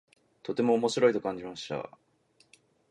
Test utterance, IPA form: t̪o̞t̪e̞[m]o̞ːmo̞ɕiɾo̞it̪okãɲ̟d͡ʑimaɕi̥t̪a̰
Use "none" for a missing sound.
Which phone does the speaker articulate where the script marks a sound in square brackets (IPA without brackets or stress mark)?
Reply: m